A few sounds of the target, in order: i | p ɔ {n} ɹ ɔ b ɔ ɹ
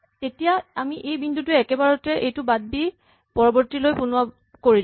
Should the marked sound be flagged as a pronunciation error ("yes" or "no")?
yes